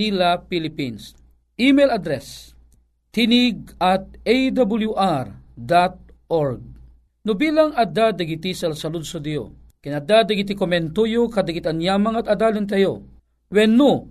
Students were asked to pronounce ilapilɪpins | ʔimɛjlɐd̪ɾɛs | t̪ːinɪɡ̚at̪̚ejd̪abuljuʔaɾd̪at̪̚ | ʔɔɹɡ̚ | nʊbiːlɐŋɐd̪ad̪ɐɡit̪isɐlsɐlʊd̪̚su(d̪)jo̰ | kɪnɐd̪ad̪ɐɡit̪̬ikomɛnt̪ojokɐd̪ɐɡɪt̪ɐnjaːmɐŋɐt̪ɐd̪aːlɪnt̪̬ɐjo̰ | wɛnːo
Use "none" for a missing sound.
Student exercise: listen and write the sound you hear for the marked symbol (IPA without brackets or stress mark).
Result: d̪